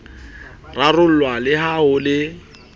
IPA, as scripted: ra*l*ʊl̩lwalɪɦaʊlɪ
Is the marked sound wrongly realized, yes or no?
yes